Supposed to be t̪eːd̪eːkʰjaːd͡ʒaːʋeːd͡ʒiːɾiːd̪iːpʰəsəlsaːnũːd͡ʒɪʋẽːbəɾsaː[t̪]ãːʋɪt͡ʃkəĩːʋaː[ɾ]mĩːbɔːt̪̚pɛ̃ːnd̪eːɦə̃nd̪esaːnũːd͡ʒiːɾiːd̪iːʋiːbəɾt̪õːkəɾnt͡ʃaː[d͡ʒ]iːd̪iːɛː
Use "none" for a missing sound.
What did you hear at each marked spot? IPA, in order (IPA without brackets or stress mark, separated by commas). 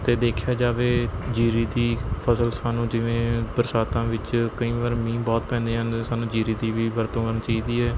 t̪, ɾ, none